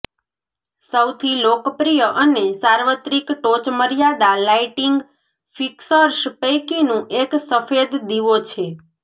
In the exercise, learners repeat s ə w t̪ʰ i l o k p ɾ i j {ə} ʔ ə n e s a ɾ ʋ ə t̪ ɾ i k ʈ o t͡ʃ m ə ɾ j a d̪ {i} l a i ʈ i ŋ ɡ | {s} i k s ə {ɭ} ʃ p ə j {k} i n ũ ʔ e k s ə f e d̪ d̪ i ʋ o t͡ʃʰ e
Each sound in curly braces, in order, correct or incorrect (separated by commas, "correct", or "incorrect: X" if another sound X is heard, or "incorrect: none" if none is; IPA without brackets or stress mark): correct, incorrect: a, incorrect: f, incorrect: ɾ, correct